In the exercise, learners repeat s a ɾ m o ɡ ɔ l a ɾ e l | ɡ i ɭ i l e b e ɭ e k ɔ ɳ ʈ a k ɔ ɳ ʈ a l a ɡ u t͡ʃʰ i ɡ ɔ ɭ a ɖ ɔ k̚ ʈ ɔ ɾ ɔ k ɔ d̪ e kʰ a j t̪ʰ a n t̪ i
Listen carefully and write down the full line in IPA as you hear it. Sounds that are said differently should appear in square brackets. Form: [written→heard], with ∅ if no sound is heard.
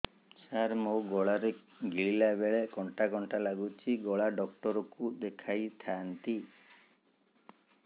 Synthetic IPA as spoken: s a ɾ m o ɡ ɔ [l→ɭ] a ɾ e [l→∅] | ɡ i ɭ i l [e→a] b e ɭ e k ɔ ɳ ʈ a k ɔ ɳ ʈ a l a ɡ u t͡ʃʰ i ɡ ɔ ɭ a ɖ ɔ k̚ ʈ ɔ ɾ ɔ k [ɔ→u] d̪ e kʰ a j t̪ʰ a n t̪ i

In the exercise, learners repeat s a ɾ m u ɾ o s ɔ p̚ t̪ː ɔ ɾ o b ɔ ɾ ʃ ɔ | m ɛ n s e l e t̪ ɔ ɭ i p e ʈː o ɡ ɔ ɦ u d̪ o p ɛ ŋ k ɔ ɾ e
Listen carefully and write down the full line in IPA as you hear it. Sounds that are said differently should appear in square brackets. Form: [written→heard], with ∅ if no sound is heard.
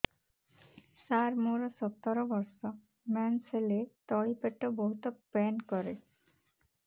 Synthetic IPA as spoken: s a ɾ m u ɾ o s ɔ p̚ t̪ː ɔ ɾ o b ɔ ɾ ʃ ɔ | m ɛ n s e l e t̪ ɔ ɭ i p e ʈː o [ɡ→b] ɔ ɦ u [d̪→t̪] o p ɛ [ŋ→n] k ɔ ɾ e

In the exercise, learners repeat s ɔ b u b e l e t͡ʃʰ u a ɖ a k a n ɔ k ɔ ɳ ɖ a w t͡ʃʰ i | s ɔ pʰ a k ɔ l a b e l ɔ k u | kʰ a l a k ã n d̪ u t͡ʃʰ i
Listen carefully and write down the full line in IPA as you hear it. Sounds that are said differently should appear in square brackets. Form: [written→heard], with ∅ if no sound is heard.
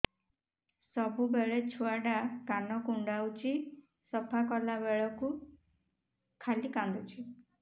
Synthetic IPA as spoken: s ɔ b u b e [l→ɭ] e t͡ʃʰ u a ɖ a k a n ɔ k [ɔ→u] ɳ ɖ a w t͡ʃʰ i | s ɔ pʰ a k ɔ l a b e [l→ɭ] ɔ k u | kʰ a l [a→i] k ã n d̪ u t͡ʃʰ i

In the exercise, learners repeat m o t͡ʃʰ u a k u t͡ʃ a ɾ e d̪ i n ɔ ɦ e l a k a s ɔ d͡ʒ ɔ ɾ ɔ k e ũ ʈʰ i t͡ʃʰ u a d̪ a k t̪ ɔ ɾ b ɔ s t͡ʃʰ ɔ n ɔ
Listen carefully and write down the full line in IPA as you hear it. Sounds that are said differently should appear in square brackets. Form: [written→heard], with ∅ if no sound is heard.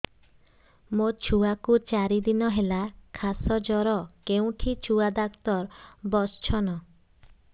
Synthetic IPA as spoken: m o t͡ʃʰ u a k u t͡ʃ a ɾ [e→i] d̪ i n ɔ ɦ e l a [k→kʰ] a s ɔ d͡ʒ ɔ ɾ ɔ k e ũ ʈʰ i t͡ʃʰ u a d̪ a k t̪ ɔ ɾ b ɔ s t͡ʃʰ ɔ n ɔ

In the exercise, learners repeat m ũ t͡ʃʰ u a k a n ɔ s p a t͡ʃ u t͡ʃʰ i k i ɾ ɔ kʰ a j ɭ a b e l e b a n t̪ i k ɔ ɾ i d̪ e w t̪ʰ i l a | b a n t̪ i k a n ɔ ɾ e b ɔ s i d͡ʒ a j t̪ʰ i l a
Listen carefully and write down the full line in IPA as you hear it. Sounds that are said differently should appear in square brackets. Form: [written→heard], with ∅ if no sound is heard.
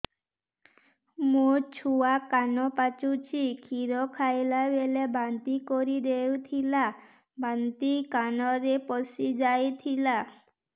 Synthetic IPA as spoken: m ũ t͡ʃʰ u a k a n ɔ [s→∅] p a t͡ʃ u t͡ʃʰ i [k→kʰ] i ɾ ɔ kʰ a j [ɭ→l] a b e l e b a n t̪ i k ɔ ɾ i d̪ e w t̪ʰ i l a | b a n t̪ i k a n ɔ ɾ e [b→p] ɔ s i d͡ʒ a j t̪ʰ i l a

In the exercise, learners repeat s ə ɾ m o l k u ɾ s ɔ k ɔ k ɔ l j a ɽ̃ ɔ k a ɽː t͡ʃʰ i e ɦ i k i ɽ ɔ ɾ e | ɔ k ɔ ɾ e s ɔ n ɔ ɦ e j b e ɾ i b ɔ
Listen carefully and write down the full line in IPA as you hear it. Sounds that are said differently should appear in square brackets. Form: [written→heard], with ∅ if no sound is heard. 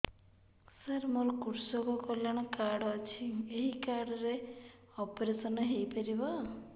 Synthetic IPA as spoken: s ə ɾ m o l k u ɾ s ɔ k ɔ k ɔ l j a ɽ̃ ɔ k a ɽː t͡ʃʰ i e ɦ i k [i→a] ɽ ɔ ɾ e | ɔ [k→p] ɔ ɾ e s ɔ n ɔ ɦ e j [b→p] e ɾ i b ɔ

